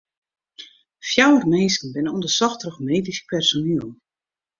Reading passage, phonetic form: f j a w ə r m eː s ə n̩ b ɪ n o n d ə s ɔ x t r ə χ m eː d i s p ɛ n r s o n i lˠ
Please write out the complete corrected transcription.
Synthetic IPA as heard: f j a w ə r m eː s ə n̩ b ɪ n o n d ə s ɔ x t r ə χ m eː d i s p ɛ r s o n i lˠ